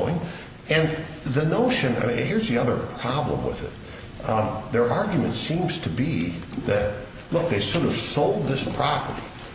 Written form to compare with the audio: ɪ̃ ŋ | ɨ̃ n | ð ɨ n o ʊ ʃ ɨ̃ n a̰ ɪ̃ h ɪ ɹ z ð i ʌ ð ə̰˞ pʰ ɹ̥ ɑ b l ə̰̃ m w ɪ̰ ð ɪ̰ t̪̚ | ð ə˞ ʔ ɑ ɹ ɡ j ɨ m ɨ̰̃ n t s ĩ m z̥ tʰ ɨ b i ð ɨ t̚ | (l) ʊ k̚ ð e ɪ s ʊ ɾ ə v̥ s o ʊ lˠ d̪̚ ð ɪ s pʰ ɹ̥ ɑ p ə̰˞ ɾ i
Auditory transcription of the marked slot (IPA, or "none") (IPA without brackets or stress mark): l